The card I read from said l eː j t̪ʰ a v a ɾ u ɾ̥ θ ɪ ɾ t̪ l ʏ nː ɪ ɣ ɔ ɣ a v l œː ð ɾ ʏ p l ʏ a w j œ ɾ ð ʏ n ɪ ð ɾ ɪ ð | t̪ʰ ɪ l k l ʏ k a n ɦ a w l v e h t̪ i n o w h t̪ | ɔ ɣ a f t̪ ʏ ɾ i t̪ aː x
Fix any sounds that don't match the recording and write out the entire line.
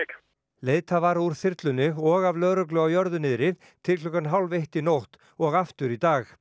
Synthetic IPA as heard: l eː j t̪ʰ a v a ɾ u ɾ̥ θ ɪ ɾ t̪ l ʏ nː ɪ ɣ ɔ ɣ a v l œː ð ɾ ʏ k l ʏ a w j œ ɾ ð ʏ n ɪ ð ɾ ɪ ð | t̪ʰ ɪ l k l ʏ k a n ɦ a w l v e h t̪ i n o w h t̪ | ɔ ɣ a f t̪ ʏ ɾ i t̪ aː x